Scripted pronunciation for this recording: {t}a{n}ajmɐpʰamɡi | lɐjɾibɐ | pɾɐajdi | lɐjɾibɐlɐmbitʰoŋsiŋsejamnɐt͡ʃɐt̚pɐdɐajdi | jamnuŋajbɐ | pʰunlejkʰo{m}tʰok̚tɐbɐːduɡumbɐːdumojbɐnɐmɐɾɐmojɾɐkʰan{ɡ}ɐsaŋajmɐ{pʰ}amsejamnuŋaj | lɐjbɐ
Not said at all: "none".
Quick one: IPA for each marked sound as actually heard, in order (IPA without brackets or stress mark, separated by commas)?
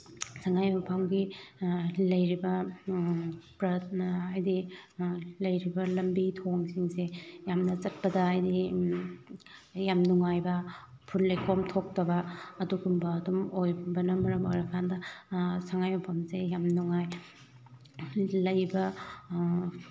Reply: s, ŋ, m, d, pʰ